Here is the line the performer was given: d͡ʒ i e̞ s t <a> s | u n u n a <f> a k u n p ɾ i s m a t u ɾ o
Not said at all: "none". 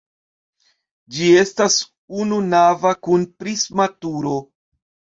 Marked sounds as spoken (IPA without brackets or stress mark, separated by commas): a, v